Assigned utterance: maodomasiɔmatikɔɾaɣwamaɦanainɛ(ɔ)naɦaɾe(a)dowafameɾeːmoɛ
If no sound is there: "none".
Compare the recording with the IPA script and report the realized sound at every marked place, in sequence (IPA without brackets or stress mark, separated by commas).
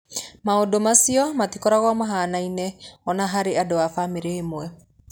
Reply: ɔ, a